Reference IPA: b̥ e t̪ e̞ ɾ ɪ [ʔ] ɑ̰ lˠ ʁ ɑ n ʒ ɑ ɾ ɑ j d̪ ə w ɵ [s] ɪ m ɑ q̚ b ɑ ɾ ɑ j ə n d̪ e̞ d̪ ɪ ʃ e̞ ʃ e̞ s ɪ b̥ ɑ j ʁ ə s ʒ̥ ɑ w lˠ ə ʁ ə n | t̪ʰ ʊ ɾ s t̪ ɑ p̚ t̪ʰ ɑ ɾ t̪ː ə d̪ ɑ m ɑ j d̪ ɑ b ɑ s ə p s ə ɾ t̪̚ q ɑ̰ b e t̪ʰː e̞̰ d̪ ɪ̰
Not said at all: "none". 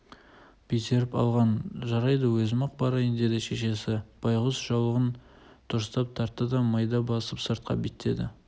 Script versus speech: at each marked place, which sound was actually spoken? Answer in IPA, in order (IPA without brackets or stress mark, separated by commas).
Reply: p, z